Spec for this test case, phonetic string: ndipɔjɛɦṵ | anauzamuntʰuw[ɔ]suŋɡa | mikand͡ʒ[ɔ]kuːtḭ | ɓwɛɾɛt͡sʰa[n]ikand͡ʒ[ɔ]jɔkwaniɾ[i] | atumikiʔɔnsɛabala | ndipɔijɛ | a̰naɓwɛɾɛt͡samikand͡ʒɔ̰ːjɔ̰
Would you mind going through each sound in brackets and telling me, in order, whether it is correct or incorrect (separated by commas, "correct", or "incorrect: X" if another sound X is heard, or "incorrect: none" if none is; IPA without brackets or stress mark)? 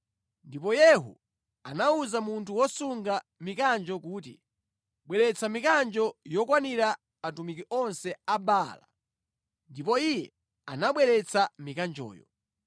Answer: correct, correct, incorrect: m, correct, incorrect: a